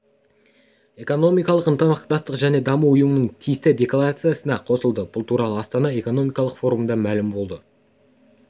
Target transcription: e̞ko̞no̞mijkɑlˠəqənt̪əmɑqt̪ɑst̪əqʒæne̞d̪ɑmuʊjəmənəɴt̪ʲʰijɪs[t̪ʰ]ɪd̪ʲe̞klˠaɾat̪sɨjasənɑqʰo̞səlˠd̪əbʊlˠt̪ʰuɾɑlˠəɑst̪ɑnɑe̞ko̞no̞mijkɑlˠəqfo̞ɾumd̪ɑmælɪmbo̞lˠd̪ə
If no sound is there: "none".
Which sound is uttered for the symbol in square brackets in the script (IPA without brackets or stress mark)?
t̪